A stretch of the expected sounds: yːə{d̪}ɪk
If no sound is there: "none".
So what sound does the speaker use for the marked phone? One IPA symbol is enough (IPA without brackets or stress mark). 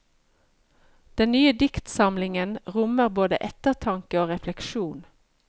d̪